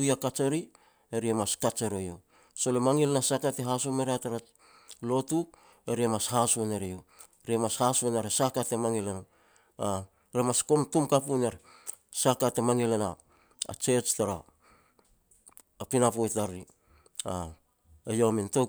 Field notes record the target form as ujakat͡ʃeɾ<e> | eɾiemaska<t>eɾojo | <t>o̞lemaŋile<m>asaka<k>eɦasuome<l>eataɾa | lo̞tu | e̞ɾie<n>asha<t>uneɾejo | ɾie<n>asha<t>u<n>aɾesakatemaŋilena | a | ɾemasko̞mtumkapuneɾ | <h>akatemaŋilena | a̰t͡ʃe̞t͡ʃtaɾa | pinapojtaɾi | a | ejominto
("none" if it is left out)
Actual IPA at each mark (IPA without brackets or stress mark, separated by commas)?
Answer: i, t͡ʃ, s, n, t, ɾ, m, s, m, s, n, s